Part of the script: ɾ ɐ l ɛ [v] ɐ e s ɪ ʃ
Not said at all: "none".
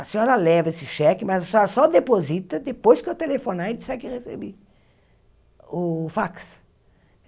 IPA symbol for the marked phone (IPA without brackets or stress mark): v